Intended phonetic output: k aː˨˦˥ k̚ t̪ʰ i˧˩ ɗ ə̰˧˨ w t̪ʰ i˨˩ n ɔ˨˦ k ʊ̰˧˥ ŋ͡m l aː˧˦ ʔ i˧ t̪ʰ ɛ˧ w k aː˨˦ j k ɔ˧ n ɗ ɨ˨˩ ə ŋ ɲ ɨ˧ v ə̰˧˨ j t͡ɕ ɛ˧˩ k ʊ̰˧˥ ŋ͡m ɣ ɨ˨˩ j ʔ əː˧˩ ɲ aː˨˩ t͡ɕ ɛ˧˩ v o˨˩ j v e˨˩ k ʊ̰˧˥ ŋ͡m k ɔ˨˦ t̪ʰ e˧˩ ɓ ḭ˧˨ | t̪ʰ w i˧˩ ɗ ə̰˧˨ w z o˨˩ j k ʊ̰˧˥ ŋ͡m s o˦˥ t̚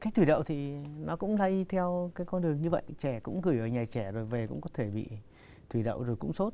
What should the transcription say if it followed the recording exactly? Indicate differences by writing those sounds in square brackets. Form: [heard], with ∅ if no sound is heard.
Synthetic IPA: k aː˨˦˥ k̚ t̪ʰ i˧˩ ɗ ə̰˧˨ w t̪ʰ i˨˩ n ɔ˨˦ k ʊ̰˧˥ ŋ͡m l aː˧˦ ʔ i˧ t̪ʰ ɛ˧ w k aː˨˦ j k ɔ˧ n ɗ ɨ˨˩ ə ŋ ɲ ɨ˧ v ə̰˧˨ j t͡ɕ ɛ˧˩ k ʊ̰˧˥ ŋ͡m ɣ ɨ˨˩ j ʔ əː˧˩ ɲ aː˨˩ t͡ɕ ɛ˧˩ [z] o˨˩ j v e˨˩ k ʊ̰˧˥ ŋ͡m k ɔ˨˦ t̪ʰ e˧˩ ɓ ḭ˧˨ | t̪ʰ w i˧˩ ɗ ə̰˧˨ w z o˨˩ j k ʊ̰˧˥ ŋ͡m s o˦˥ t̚